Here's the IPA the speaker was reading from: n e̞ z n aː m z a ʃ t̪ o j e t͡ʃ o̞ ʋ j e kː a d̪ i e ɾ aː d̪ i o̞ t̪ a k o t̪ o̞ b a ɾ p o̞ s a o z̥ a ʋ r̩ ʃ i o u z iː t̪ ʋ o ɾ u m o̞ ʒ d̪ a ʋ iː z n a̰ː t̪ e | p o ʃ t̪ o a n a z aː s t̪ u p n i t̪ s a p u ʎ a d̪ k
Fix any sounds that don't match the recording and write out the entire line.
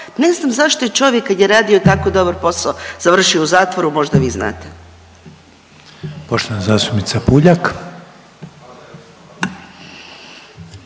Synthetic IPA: n e̞ z n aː m z a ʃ t̪ o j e t͡ʃ o̞ ʋ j e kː a d̪ j e ɾ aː d̪ i o̞ t̪ a k o d̪ o̞ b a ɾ p o̞ s a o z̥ a ʋ r̩ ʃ i o u z aː t̪ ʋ o ɾ u m o̞ ʒ d̪ a ʋ iː z n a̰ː t̪ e | p o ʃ t̪ o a n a z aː s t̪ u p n i t̪ s a p u ʎ a k